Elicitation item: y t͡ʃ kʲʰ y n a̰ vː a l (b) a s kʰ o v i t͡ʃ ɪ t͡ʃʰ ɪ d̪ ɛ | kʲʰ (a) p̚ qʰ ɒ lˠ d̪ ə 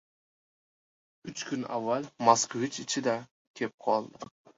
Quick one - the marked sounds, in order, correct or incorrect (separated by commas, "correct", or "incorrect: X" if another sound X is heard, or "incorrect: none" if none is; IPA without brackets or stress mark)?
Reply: incorrect: m, incorrect: e